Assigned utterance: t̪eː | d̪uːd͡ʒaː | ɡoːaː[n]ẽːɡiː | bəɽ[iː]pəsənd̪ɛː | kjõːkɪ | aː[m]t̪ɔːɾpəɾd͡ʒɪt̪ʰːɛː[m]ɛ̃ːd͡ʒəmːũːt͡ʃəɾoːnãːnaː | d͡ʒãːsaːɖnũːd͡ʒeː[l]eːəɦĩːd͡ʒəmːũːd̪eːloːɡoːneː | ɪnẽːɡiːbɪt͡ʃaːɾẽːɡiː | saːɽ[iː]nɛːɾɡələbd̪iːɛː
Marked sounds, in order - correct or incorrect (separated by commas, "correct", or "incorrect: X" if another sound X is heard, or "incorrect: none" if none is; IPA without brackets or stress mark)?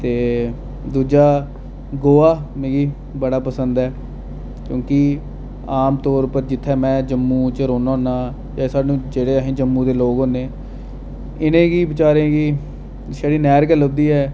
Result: incorrect: m, incorrect: aː, correct, correct, incorrect: ɽ, correct